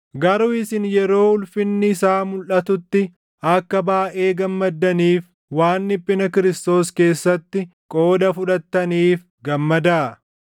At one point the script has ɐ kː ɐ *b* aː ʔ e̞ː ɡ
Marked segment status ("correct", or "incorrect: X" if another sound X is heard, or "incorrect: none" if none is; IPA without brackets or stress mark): correct